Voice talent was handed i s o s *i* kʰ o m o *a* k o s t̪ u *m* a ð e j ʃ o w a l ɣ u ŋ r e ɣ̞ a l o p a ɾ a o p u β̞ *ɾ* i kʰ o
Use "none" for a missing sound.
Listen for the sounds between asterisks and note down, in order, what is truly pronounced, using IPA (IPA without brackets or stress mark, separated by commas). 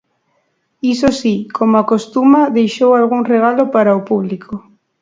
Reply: i, a, m, l